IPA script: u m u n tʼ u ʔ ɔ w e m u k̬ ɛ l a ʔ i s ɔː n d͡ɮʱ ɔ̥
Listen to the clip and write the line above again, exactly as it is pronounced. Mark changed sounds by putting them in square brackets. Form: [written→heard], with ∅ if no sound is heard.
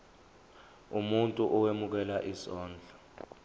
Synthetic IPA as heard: u m u n tʼ u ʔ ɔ w e m u k̬ ɛ l a ʔ i s ɔː n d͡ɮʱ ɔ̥